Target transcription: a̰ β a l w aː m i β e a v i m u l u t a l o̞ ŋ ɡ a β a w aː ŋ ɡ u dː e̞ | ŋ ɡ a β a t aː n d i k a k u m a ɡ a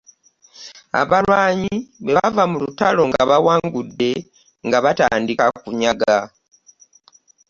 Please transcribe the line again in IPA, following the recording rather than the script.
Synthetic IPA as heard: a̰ β a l w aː ɲ i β e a v a m u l u t a l o̞ ŋ ɡ a β a w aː ŋ ɡ u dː e̞ | ŋ ɡ a β a t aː n d i k a k u ɲ a ɡ a